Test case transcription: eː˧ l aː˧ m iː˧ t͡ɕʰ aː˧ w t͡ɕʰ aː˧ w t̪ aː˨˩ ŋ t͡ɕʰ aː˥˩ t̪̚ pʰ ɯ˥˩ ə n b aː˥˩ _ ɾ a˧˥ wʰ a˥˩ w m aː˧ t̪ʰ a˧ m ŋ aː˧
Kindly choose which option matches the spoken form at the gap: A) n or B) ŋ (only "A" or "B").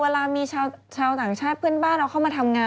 A